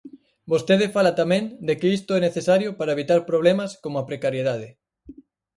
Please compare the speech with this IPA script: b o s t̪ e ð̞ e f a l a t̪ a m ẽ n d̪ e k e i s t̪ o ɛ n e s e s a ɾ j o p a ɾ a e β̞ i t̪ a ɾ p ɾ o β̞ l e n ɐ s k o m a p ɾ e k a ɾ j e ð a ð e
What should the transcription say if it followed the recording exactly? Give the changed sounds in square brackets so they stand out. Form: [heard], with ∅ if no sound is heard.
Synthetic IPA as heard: b o s t̪ e ð̞ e f a l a t̪ a m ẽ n d̪ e k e i s t̪ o ɛ n e [θ] e s a ɾ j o p a ɾ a e β̞ i t̪ a ɾ p ɾ o β̞ l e [m] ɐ s k o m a p ɾ e k a ɾ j e ð a ð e